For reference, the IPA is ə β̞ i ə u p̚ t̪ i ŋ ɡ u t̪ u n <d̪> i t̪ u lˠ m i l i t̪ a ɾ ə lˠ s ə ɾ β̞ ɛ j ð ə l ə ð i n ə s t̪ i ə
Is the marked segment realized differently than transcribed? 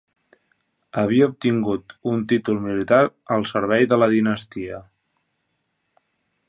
yes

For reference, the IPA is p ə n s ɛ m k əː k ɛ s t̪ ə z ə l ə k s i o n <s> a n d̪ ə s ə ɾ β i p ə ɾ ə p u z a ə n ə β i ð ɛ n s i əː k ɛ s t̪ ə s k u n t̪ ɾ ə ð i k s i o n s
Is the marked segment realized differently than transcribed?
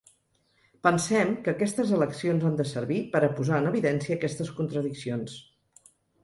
yes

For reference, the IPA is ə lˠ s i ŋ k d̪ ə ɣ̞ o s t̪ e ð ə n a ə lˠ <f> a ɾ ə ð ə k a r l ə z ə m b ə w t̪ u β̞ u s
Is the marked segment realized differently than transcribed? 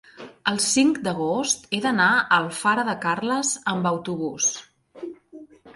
no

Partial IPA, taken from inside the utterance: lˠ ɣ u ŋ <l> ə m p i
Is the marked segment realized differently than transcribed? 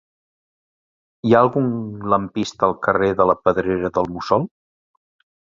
no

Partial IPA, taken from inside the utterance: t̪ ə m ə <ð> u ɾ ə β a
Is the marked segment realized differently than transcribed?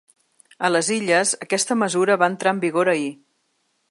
yes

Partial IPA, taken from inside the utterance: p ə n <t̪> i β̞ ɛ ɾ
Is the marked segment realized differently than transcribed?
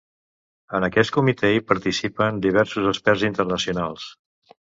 yes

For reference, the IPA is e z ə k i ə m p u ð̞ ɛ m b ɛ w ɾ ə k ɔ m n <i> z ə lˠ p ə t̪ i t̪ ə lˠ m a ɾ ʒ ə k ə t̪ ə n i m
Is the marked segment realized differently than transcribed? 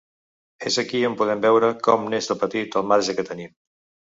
yes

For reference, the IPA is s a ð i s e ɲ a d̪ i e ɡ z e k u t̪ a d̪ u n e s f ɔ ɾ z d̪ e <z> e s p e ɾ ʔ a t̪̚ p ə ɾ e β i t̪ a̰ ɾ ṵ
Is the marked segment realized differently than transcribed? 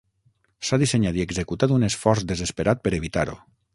no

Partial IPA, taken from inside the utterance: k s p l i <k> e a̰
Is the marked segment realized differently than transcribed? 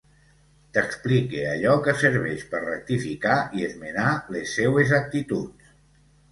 no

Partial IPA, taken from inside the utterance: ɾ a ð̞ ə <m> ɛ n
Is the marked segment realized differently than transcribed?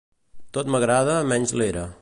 no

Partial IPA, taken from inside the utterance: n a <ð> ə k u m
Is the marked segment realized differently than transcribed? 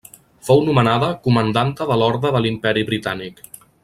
no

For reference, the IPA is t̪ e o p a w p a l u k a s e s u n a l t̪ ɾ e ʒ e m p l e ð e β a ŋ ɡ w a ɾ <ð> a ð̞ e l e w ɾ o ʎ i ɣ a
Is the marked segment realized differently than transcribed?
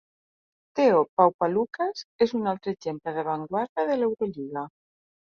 no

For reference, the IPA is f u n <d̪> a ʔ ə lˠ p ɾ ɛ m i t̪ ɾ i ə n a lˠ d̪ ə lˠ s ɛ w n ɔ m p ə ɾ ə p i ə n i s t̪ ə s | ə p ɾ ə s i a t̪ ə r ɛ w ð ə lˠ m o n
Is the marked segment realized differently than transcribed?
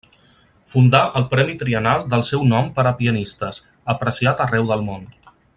no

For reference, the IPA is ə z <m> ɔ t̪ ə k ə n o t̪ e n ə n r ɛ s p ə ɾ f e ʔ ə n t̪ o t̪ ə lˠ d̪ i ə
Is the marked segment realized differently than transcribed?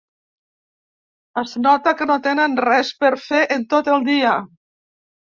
yes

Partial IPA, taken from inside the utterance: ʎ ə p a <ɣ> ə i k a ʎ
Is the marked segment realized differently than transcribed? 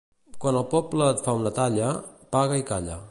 no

